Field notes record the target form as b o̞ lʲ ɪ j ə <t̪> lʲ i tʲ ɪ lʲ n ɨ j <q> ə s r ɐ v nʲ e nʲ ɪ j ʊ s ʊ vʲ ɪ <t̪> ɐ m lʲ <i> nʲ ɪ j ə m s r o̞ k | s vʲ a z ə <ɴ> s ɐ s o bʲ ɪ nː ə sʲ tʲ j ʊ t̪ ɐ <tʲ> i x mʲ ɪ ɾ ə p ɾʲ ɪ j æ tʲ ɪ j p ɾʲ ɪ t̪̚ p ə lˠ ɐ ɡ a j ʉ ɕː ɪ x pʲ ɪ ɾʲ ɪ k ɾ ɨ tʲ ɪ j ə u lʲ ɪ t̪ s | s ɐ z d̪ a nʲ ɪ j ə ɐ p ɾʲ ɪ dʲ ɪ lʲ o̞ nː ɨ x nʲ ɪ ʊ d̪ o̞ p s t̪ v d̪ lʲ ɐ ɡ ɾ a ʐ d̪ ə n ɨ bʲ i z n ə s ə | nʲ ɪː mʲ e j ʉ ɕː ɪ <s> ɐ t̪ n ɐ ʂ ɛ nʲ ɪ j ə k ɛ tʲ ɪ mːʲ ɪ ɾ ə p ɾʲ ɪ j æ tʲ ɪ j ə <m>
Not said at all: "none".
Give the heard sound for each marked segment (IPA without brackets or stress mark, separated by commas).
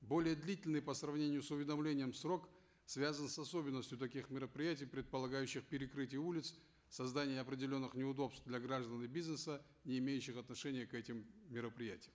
d̪, p, d̪, e, n, kʲ, x, m